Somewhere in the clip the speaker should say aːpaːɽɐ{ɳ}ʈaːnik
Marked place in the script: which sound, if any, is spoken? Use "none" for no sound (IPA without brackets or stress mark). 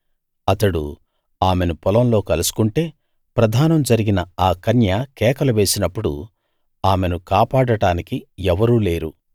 none